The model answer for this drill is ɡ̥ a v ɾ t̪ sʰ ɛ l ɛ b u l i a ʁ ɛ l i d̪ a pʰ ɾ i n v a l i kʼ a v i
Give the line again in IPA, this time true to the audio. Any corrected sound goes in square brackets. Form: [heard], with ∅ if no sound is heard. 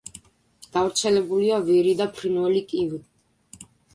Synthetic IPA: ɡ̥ a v ɾ t̪ sʰ ɛ l ɛ b u l i a [v] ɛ [ɾ] i d̪ a pʰ ɾ i n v [ɛ] l i kʼ [i] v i